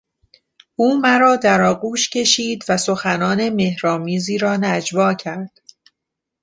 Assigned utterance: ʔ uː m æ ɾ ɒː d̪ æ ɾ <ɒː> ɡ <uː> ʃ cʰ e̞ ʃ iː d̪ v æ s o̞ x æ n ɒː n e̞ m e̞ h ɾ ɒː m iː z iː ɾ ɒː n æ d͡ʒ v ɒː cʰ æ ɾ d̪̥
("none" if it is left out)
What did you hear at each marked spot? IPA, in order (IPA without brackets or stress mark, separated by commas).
ɒː, uː